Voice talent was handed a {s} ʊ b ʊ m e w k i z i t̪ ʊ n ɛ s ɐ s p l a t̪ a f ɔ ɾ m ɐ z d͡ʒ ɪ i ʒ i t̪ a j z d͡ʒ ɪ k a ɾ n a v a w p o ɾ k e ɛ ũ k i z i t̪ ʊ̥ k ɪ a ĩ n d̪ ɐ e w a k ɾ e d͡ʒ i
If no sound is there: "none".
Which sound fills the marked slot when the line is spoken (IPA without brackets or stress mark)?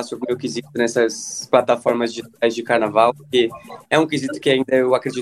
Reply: s